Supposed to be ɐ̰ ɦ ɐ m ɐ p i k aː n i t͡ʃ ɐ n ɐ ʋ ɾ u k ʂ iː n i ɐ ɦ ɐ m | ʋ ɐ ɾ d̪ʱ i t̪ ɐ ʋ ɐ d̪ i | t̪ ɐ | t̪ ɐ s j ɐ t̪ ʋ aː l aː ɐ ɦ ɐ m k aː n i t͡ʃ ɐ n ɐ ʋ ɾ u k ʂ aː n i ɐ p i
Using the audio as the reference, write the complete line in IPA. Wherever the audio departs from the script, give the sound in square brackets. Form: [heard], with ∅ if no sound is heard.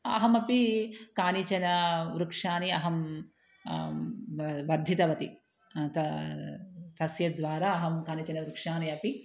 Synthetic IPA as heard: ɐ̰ ɦ ɐ m ɐ p i k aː n i t͡ʃ ɐ n ɐ ʋ ɾ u k ʂ [aː] n i ɐ ɦ ɐ m | ʋ ɐ ɾ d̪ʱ i t̪ ɐ ʋ ɐ [t̪] i | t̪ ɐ | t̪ ɐ s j ɐ [d̪] ʋ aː [ɾ] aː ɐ ɦ ɐ m k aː n i t͡ʃ ɐ n ɐ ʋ ɾ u k ʂ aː n i ɐ p i